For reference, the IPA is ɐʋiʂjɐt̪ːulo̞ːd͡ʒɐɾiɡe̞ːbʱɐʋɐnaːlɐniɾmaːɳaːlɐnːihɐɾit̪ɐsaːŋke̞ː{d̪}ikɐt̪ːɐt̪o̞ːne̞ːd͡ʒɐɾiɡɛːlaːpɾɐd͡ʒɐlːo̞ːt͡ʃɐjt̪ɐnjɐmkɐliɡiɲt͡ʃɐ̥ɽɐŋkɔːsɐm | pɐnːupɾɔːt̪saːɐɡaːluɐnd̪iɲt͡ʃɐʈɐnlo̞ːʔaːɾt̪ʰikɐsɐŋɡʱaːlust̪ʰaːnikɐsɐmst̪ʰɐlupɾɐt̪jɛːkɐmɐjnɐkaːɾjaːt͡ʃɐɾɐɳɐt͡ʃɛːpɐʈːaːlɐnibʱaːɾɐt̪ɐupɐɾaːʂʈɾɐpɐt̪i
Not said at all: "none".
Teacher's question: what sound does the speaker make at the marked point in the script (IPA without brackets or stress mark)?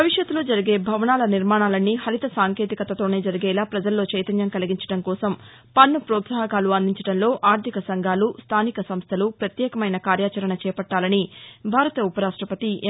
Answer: t̪